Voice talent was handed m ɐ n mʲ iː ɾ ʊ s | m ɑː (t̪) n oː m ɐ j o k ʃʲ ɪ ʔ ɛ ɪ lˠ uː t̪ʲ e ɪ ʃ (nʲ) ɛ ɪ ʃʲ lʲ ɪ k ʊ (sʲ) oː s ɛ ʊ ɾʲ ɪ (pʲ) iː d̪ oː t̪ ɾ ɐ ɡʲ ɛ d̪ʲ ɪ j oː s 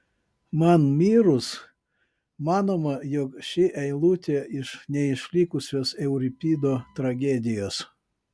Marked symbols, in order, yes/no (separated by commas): no, yes, yes, yes